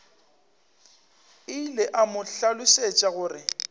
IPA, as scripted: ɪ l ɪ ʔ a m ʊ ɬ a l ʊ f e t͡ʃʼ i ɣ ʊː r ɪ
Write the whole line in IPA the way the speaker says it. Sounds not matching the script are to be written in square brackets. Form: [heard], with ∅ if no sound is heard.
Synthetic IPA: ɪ l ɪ ʔ a m ʊ ɬ a l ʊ [s] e t͡ʃʼ [a] ɣ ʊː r ɪ